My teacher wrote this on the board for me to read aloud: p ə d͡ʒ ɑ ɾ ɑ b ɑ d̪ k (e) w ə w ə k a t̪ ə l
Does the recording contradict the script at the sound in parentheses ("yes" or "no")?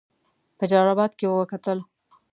no